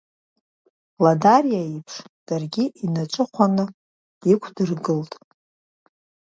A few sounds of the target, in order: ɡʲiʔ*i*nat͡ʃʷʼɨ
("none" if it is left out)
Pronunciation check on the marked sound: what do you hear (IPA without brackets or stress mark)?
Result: i